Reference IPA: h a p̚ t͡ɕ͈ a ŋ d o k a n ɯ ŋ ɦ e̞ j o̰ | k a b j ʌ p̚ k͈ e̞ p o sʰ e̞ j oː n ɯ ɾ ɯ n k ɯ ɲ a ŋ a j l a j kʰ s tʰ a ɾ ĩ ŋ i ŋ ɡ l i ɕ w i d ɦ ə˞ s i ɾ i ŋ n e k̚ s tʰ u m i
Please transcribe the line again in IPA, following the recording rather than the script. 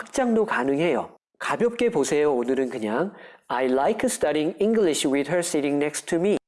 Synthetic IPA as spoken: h a k̚ t͡ɕ͈ a ŋ d o k a n ɯ ŋ ɦ e̞ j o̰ | k a b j ʌ p̚ k͈ e̞ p o sʰ e̞ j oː n ɯ ɾ ɯ n k ɯ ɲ a ŋ a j l a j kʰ s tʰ a ɾ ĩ ŋ i ŋ ɡ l i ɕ w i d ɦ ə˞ s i ɾ i ŋ n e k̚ s tʰ u m i